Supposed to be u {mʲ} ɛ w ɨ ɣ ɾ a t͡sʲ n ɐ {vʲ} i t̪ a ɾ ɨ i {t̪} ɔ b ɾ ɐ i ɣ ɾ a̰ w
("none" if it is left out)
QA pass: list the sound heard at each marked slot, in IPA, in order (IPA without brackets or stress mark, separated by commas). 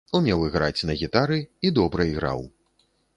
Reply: mʲ, ɣʲ, d̪